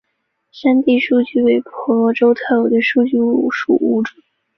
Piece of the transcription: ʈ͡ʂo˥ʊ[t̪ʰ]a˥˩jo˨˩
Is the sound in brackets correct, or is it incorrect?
correct